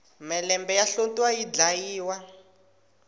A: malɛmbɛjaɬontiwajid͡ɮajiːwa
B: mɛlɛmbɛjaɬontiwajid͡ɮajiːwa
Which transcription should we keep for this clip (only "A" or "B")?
B